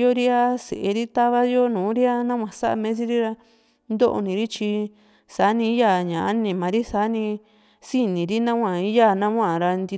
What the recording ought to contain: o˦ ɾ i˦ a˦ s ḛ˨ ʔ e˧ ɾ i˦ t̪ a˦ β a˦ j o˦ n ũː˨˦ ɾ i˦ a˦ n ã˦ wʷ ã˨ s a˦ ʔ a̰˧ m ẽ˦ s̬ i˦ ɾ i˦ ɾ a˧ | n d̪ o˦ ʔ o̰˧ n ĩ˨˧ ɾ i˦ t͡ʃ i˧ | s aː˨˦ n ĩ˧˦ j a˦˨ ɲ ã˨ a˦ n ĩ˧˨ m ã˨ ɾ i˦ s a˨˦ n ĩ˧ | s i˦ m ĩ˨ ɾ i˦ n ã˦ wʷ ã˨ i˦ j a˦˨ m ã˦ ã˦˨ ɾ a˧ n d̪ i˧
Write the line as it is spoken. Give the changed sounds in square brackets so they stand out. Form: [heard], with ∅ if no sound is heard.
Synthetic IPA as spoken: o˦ ɾ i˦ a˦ s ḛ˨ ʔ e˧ ɾ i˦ t̪ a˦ β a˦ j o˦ n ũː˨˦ ɾ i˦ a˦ n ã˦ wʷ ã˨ s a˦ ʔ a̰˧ m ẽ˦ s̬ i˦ ɾ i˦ ɾ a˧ | n d̪ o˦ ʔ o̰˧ n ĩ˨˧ ɾ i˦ t͡ʃ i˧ | s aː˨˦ n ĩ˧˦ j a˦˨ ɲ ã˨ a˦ n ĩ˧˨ m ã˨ ɾ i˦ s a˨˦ n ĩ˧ | s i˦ [n] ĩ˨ ɾ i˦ n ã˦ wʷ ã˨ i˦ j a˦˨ [n] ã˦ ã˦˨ ɾ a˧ n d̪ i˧